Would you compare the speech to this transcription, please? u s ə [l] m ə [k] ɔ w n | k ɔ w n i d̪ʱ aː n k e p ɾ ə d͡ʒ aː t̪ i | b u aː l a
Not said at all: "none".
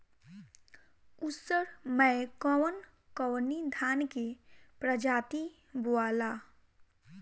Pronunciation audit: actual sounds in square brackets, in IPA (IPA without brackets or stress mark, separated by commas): ɾ, k